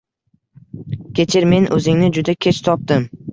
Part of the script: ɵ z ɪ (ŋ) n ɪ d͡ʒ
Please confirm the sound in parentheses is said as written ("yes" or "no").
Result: yes